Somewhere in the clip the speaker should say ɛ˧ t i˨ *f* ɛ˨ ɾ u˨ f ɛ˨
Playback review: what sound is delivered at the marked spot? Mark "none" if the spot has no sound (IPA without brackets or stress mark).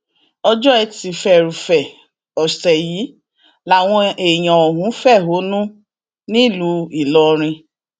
f